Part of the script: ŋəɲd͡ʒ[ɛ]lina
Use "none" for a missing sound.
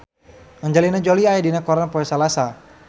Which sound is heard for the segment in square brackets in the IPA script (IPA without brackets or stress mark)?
a